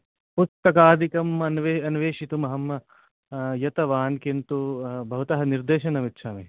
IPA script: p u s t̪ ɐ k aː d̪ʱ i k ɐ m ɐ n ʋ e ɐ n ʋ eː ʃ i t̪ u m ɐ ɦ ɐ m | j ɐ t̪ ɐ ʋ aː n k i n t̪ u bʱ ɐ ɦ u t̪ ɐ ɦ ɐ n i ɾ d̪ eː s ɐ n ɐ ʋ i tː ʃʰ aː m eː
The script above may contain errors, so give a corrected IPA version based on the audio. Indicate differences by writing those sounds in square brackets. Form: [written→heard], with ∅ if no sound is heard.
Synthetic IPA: p u s t̪ ɐ k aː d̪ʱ i k ɐ m ɐ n ʋ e ɐ n ʋ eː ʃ i t̪ u m ɐ ɦ ɐ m | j ɐ t̪ ɐ ʋ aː n k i n t̪ u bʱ ɐ ɦ u t̪ ɐ ɦ ɐ n i ɾ d̪ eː [s→ʃ] ɐ n ɐ ʋ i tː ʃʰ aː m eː